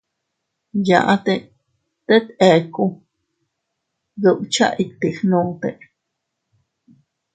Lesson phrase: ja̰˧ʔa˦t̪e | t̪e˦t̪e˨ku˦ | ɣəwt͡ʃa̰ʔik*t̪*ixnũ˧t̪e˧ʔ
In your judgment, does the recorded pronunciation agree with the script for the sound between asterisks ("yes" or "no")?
yes